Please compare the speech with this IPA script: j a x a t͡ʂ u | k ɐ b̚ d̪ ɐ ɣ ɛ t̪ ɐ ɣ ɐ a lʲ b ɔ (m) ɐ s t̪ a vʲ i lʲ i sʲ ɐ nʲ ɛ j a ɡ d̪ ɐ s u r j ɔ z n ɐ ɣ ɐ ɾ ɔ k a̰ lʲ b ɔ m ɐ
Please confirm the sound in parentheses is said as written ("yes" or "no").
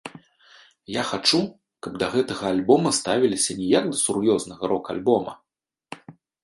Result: yes